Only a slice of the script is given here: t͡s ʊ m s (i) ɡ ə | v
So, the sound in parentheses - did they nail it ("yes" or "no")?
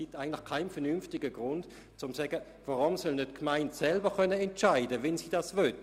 no